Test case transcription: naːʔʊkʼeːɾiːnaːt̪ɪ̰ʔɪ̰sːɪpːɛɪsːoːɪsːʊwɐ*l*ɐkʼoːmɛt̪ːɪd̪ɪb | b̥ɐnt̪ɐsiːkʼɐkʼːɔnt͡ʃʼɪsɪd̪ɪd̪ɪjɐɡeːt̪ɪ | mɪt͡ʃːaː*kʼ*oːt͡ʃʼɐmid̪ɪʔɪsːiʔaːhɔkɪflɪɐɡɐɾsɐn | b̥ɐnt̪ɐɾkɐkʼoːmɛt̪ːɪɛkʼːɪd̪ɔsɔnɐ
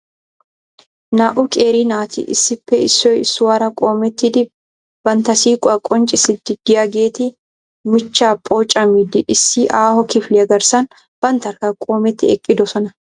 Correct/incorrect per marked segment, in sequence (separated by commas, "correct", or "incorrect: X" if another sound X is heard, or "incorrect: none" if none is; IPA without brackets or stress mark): incorrect: ɾ, incorrect: pʼ